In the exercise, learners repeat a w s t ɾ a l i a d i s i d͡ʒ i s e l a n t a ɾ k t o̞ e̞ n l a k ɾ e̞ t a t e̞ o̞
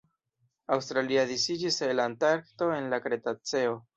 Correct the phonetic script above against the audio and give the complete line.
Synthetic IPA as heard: a w s t ɾ a l i a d i s i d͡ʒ i s e l a n t a ɾ k t o̞ e̞ n l a k ɾ e̞ t a t͡s e̞ o̞